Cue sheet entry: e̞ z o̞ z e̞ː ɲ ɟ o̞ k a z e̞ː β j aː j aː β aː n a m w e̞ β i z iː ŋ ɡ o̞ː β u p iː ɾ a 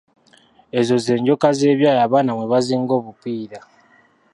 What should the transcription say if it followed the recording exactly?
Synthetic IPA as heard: e̞ z o̞ z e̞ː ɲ ɟ o̞ k a z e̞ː β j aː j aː β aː n a m w e̞ β a z iː ŋ ɡ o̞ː β u p iː ɾ a